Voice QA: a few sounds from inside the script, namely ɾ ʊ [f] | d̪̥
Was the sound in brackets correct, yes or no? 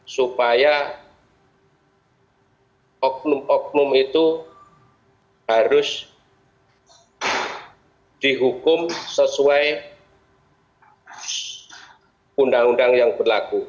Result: no